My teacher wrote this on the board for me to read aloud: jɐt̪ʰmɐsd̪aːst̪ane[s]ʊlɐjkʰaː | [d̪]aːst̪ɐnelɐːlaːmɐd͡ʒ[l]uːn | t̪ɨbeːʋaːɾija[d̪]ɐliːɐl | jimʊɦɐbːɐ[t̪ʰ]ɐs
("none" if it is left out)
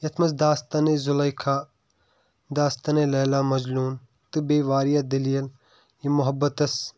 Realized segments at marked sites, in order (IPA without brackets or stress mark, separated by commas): z, d̪, l, d̪, t̪